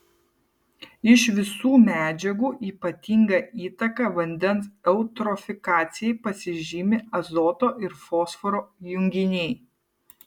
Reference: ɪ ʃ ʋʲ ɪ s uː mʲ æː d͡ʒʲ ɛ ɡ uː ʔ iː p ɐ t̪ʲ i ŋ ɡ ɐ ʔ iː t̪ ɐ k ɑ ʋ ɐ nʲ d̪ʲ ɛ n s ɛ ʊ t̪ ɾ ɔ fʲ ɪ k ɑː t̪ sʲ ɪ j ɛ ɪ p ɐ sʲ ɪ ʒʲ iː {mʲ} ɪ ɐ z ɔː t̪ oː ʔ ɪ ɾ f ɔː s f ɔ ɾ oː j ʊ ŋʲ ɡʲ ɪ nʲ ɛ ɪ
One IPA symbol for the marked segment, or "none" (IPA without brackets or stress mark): mʲ